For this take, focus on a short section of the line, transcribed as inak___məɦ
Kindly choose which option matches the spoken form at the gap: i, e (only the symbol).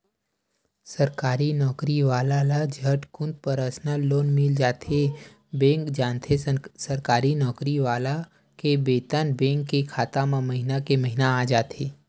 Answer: e